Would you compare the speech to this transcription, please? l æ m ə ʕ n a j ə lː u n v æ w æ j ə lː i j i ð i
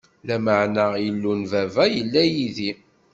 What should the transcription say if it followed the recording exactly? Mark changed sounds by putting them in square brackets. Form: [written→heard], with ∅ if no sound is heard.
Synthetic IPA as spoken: l æ m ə ʕ n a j ə lː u n v æ [w→v] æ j ə lː [i→æ] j i ð i